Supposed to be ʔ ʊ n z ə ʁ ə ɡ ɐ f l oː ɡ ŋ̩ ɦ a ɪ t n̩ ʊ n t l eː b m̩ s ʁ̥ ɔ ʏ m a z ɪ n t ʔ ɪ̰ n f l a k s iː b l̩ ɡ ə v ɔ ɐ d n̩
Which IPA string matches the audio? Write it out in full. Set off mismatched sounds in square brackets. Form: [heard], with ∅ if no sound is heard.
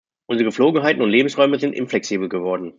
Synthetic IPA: ʔ ʊ n z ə ʁ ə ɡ [ə] f l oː ɡ ŋ̩ ɦ a ɪ t n̩ ʊ n t l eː b m̩ s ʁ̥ ɔ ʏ m [ə] z ɪ n t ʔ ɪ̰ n f l [ɛ] k s iː b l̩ ɡ ə v ɔ ɐ d n̩